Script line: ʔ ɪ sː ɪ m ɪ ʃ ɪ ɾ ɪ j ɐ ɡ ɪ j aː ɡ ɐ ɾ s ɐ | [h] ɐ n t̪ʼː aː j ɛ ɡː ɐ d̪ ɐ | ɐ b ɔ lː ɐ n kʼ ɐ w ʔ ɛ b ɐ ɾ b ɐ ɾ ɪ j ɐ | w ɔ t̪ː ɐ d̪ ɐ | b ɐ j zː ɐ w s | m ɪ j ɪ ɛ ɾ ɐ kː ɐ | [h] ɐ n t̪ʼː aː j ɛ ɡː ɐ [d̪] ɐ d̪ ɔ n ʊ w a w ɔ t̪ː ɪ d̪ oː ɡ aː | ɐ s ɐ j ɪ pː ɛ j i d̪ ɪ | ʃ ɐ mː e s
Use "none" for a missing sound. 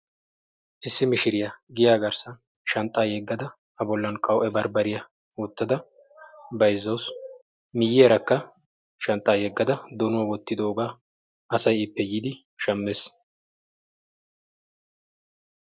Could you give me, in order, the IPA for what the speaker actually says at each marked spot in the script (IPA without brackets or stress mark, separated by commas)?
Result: ʃ, ʃ, d̪